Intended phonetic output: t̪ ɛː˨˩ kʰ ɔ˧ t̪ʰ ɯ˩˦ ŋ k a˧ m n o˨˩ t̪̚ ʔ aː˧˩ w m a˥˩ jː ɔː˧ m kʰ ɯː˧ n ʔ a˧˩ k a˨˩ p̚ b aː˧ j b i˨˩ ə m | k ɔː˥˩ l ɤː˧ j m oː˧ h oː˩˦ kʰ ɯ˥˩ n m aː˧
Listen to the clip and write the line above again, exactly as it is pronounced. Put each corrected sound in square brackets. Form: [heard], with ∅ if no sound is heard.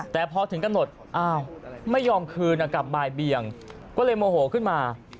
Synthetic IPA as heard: t̪ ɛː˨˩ [pʰ] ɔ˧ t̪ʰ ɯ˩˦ ŋ k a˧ m n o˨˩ t̪̚ ʔ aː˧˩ w m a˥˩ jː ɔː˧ m kʰ ɯː˧ n ʔ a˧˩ k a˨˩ p̚ b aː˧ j b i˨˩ ə [ŋ] | k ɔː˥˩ l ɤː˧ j m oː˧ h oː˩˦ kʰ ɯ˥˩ n m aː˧